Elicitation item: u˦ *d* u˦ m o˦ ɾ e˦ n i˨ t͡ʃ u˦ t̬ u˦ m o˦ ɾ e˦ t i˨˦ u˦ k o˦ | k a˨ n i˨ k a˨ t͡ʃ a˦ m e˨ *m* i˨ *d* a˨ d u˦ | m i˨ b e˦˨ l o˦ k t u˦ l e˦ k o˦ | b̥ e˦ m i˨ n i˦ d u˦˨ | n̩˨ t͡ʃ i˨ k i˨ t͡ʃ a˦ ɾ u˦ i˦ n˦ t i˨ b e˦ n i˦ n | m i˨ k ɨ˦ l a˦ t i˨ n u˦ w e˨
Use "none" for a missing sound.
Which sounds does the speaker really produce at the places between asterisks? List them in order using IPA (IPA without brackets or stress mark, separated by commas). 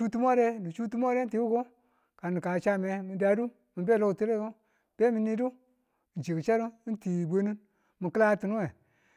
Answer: t, m, d